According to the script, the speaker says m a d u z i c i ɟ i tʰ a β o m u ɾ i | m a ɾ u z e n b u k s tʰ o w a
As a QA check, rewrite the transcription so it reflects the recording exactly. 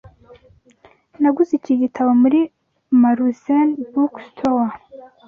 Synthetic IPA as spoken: n a ɡ u z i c i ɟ i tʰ a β o m u ɾ i | m a ɾ u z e n b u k s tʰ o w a